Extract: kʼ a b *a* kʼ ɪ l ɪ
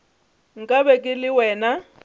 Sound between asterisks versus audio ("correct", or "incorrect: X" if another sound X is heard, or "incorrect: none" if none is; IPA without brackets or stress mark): incorrect: ɛ